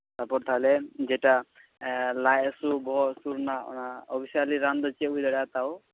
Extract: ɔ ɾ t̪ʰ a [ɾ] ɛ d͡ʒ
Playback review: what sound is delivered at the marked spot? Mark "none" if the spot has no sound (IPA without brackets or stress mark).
l